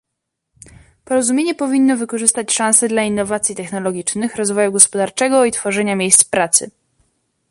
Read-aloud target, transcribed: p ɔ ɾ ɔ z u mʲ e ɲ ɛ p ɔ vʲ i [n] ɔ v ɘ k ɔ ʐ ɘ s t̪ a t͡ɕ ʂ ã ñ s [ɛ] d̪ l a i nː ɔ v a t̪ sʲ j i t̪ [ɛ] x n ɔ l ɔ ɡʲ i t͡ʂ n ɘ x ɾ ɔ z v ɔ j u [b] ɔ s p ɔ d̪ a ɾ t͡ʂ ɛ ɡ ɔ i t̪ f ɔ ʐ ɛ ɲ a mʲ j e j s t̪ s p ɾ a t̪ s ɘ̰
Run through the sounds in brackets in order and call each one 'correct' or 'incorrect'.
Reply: incorrect, correct, correct, incorrect

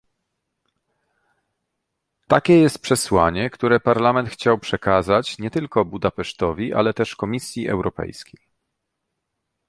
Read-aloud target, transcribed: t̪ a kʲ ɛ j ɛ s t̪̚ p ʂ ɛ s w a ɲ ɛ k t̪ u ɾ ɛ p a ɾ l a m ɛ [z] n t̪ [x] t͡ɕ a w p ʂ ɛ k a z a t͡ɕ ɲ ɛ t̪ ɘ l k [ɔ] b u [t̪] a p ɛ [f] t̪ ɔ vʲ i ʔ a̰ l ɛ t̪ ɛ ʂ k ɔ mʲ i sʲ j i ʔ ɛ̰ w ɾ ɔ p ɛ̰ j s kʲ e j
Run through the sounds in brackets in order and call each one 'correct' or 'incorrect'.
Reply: incorrect, correct, correct, incorrect, incorrect

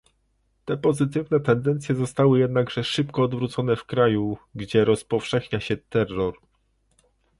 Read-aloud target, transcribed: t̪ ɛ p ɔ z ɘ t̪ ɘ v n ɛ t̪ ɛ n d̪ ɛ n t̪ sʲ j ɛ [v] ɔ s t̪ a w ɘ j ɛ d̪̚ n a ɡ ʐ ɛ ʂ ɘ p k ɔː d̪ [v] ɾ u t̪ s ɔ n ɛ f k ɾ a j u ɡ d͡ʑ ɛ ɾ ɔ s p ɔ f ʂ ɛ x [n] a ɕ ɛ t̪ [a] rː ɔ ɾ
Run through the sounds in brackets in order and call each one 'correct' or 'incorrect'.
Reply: incorrect, correct, incorrect, incorrect

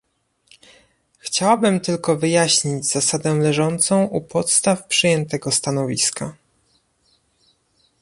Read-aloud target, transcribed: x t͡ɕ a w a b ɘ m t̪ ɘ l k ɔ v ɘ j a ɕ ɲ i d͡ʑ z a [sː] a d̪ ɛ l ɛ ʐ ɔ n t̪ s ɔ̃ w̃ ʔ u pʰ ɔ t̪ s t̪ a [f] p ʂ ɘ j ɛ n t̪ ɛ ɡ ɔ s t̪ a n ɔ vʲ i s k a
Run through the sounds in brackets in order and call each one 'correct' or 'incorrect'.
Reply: incorrect, correct

